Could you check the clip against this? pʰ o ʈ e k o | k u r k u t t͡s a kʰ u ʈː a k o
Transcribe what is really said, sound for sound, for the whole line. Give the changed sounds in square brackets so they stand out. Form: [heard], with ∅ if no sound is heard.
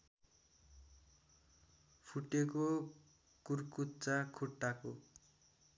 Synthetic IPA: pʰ [u] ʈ e k o | k u r k u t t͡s a kʰ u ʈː a k o